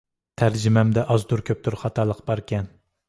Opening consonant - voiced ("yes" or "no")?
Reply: no